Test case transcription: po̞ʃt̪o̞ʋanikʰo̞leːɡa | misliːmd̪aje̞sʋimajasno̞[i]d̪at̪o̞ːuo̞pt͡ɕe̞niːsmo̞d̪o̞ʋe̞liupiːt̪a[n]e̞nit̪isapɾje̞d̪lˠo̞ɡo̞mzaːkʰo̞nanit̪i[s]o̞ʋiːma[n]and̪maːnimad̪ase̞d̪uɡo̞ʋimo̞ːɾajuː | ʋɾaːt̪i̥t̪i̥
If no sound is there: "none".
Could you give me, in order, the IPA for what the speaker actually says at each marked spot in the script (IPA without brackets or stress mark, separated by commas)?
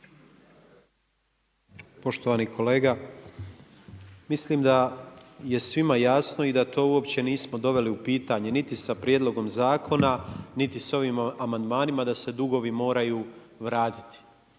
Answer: i, ɲ, s, m